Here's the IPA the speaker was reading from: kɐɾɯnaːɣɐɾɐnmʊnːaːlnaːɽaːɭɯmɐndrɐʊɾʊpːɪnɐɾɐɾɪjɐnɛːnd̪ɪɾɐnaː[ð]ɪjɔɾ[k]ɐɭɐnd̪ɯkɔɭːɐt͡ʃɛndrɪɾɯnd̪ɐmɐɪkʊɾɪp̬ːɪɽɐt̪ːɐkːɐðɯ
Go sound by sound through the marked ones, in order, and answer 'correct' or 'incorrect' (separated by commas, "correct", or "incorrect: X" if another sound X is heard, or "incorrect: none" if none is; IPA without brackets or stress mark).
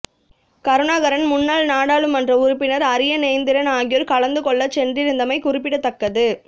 incorrect: ɣ, correct